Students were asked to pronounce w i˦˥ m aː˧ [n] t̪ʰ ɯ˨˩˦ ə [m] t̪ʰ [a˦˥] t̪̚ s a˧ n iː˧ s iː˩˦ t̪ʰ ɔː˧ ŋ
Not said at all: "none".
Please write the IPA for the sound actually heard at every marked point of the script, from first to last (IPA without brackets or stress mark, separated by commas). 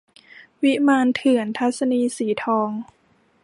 n, n, a˦˥